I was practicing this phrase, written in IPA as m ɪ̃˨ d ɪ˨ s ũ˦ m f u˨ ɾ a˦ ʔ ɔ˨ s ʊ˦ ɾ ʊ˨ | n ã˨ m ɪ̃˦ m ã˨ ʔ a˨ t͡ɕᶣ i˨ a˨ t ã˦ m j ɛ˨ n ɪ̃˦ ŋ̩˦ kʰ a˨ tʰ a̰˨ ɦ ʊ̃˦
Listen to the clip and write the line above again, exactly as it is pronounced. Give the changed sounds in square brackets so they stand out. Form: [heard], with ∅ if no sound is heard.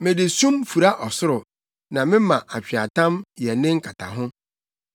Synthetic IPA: m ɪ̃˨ d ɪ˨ s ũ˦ m f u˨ ɾ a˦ ʔ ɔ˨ s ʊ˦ ɾ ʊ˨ | n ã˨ m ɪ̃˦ m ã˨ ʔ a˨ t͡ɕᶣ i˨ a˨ t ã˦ m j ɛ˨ n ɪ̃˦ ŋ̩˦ kʰ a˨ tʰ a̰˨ ɦ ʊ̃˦